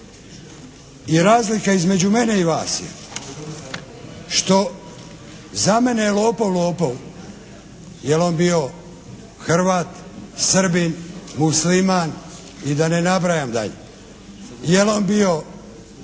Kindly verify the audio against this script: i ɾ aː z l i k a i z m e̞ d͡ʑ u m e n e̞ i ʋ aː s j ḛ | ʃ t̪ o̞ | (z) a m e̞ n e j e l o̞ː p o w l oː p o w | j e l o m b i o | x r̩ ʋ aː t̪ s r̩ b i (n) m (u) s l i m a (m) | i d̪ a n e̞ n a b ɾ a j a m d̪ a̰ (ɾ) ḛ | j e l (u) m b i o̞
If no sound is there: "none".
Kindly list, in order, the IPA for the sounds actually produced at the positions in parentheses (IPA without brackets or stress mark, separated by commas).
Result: z, n, u, n, ʎ, o